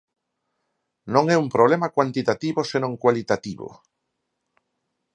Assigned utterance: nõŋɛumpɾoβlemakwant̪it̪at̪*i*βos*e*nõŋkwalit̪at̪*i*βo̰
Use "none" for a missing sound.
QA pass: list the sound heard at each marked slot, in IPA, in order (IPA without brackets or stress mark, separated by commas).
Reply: i, e, i